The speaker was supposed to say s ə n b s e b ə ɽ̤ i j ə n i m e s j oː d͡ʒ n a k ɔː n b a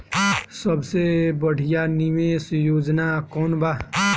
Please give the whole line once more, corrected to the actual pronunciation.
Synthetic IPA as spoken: s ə b s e b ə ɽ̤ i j a n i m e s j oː d͡ʒ n a k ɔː n b a